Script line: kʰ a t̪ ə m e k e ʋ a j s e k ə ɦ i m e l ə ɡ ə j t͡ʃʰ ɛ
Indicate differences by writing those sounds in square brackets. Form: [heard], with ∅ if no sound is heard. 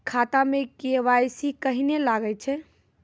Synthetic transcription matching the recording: kʰ a t̪ [a] m e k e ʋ a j s [i] k ə ɦ i [n] e l [a] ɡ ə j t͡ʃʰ ɛ